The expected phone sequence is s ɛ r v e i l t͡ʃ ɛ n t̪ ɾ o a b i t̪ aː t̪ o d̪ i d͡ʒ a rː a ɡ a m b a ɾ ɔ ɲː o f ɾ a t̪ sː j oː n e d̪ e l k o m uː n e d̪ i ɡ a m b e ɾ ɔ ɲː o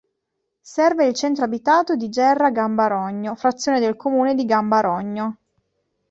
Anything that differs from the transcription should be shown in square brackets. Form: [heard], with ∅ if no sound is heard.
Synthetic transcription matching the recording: s ɛ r v e i l t͡ʃ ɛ n t̪ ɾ o a b i t̪ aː t̪ o d̪ i d͡ʒ [ɛ] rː a ɡ a m b a ɾ ɔ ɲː o f ɾ a t̪ sː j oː n e d̪ e l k o m uː n e d̪ i ɡ a m b [a] ɾ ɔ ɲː o